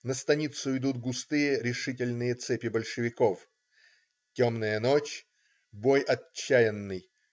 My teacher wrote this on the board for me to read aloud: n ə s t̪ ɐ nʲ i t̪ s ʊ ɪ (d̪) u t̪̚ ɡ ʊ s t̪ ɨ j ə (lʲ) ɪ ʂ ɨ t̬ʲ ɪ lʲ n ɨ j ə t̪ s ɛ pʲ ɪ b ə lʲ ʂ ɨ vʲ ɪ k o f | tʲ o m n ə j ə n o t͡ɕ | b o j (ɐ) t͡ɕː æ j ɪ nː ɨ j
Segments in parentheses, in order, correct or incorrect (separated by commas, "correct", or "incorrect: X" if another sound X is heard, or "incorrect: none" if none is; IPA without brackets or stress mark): correct, incorrect: ɾʲ, correct